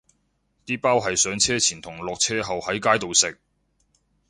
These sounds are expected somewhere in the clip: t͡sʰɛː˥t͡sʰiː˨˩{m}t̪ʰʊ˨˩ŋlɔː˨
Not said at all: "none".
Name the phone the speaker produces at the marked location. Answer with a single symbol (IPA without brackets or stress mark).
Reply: n